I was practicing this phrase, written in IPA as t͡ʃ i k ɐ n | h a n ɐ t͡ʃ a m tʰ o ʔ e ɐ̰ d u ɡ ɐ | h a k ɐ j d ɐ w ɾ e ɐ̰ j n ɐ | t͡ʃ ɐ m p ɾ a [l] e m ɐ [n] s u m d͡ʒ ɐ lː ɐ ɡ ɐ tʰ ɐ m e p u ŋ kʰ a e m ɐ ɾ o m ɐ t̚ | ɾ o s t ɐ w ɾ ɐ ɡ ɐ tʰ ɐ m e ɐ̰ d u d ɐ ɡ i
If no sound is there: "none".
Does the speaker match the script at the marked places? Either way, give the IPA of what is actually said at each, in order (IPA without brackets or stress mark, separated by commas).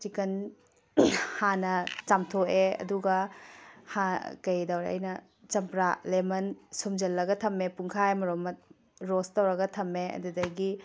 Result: l, n